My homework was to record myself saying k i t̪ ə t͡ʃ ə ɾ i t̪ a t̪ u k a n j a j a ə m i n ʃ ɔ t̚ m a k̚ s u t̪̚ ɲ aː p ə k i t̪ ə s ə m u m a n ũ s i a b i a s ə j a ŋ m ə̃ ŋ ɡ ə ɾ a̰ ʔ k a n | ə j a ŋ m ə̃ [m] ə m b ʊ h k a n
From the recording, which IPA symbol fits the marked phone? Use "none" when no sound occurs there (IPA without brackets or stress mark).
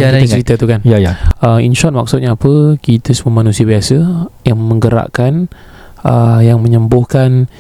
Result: ɲ